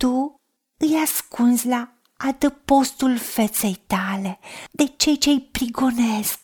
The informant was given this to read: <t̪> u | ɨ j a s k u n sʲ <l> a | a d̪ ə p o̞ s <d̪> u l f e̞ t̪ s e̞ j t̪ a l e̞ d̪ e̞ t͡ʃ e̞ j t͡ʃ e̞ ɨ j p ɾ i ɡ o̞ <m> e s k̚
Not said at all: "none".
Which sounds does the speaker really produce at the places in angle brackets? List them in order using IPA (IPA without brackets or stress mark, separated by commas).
t̪, l, t̪, n